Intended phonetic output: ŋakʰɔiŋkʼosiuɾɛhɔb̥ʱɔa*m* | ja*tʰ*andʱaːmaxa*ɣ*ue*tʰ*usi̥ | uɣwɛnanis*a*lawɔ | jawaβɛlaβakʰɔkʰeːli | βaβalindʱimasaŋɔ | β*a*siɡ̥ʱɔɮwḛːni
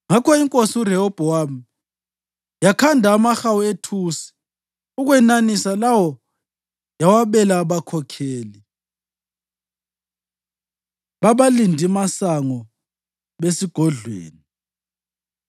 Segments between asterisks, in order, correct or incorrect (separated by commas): correct, incorrect, incorrect, correct, correct, incorrect